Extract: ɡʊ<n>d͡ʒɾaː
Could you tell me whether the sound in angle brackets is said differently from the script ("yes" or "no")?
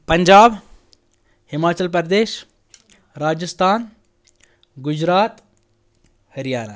yes